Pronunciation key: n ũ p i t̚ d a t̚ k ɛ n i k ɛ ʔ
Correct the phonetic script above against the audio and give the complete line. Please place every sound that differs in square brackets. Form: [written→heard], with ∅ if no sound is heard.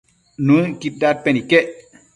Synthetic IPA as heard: n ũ [p→k] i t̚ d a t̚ [k→p] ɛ n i k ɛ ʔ